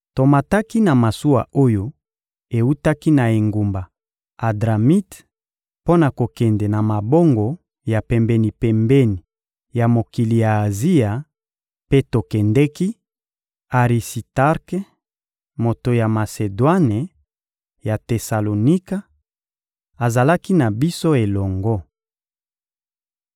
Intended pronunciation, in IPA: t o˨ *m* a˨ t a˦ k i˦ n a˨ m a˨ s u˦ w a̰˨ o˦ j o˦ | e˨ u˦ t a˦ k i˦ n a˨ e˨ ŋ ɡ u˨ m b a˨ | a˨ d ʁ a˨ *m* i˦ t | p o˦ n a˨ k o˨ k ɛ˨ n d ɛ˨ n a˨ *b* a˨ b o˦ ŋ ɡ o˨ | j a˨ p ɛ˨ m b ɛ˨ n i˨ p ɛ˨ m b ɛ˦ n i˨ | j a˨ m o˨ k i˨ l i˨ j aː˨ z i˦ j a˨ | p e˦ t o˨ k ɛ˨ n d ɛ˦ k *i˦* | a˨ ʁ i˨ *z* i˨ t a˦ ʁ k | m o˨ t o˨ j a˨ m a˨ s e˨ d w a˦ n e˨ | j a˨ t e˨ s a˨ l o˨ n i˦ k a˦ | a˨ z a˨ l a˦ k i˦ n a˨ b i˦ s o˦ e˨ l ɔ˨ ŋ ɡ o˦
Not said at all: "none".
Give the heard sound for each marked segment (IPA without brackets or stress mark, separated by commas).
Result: m, m, m, i˦, s